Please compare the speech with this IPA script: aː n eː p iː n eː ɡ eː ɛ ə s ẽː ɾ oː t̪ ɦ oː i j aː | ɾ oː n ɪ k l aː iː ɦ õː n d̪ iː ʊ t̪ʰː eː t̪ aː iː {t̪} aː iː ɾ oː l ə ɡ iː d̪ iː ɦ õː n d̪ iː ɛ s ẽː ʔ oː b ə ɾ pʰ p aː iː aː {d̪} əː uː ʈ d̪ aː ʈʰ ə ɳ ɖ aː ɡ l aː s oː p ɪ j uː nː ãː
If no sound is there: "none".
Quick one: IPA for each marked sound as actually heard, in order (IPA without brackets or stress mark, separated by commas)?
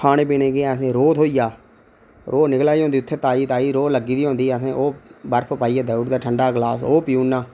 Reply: t̪, d̪